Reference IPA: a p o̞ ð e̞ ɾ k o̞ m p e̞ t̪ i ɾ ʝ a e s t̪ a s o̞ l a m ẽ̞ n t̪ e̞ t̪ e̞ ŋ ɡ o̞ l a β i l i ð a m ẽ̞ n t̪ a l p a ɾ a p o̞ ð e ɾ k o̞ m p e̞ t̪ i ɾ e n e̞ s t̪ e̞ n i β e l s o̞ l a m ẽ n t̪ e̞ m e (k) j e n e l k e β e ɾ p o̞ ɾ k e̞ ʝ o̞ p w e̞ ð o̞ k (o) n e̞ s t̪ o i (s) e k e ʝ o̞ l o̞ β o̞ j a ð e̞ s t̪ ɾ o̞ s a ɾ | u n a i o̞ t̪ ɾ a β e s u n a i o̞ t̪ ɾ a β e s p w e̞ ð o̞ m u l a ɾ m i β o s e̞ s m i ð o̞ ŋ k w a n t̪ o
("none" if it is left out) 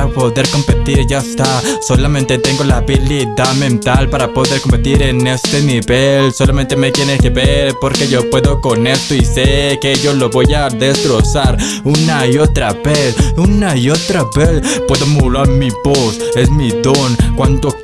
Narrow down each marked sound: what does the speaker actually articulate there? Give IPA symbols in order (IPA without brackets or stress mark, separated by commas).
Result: k, o, s